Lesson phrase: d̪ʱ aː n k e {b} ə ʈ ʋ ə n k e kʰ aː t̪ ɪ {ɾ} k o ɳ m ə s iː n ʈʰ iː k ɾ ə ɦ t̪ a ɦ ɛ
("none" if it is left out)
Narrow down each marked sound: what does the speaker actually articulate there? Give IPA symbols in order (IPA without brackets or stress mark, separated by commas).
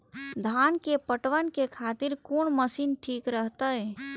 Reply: p, ɾ